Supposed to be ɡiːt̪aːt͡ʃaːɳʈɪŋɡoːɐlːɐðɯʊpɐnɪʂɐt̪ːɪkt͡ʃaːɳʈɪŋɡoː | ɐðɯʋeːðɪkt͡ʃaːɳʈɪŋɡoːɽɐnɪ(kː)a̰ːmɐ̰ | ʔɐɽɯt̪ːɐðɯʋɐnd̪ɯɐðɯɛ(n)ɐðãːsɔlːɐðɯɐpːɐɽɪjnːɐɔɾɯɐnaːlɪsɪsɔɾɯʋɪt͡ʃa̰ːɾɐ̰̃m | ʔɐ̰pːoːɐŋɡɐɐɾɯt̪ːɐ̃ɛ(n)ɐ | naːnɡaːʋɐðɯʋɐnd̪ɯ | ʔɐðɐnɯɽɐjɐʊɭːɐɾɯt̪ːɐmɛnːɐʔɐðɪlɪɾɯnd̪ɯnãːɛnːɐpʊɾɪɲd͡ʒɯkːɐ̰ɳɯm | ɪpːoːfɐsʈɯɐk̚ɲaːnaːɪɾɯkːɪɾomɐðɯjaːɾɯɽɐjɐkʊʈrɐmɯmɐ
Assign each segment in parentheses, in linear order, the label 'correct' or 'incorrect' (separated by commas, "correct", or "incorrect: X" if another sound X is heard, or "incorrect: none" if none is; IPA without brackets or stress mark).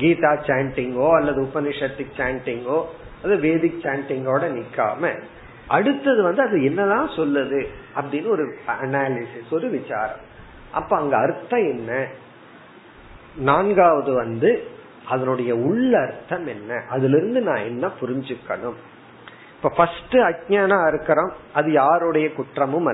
correct, incorrect: nː, incorrect: nː